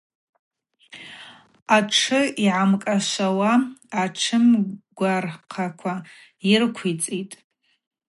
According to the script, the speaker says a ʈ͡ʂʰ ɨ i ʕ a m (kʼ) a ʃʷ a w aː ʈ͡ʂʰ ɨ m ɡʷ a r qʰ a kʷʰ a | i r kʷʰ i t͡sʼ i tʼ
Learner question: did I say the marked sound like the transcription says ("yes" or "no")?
yes